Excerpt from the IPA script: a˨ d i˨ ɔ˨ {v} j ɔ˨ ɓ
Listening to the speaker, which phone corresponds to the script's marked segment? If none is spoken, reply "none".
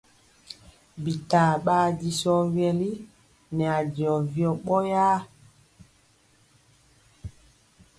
v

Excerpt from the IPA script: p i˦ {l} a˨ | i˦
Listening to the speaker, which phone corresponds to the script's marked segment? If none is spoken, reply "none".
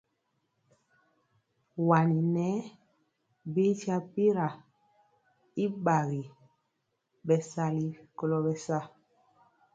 ɾ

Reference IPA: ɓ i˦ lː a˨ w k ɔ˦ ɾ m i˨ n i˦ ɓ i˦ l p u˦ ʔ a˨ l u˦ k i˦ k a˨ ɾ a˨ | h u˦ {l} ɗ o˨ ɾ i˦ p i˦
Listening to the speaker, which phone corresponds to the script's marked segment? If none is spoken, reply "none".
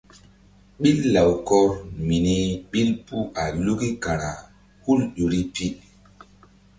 l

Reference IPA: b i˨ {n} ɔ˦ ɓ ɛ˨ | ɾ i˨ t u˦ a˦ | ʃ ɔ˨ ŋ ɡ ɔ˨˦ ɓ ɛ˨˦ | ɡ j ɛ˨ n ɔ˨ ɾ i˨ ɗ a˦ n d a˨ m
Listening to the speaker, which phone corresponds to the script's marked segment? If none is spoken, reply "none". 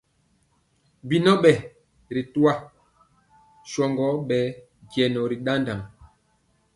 n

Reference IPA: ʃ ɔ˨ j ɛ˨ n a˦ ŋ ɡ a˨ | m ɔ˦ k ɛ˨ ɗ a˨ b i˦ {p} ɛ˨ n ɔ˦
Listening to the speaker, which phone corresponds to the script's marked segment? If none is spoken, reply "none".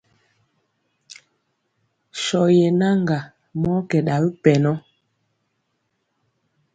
p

